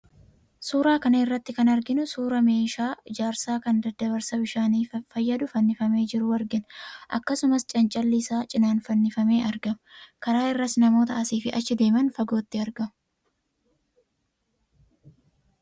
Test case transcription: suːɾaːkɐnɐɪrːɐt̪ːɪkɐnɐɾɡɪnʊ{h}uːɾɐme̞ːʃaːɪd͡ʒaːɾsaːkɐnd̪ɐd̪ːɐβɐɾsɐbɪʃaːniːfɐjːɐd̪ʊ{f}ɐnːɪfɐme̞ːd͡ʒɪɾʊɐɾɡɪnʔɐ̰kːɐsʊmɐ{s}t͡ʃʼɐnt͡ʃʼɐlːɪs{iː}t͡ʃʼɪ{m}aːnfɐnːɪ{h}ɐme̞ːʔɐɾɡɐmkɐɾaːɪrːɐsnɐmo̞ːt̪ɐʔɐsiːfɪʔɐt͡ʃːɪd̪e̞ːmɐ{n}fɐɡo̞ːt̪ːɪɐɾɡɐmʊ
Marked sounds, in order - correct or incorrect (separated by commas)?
incorrect, correct, correct, incorrect, incorrect, incorrect, correct